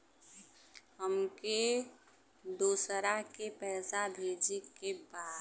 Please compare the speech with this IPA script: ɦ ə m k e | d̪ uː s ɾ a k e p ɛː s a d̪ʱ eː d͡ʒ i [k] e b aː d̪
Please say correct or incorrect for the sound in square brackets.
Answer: correct